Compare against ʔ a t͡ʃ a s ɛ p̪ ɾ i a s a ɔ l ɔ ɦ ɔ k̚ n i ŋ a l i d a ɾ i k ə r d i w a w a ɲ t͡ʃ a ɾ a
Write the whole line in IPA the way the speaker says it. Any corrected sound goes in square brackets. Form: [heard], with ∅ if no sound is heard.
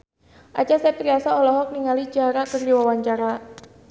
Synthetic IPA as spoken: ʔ a t͡ʃ a s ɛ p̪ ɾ i a s a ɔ l ɔ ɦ ɔ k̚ n i ŋ a l i [d͡ʒ] a ɾ [a] k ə r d i w a w a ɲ t͡ʃ a ɾ a